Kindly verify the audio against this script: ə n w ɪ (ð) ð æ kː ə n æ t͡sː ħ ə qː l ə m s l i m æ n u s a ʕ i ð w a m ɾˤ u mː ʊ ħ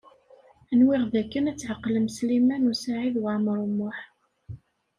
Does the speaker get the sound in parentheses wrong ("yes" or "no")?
yes